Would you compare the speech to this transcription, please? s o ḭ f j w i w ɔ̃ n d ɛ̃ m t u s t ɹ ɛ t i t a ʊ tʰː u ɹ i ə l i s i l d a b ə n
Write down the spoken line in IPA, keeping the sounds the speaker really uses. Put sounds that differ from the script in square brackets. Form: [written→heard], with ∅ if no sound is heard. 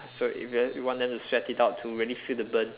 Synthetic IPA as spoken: s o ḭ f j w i w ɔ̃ n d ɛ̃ m t u s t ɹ ɛ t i t a ʊ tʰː u ɹ i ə l i [s→f] i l d [a→ə] b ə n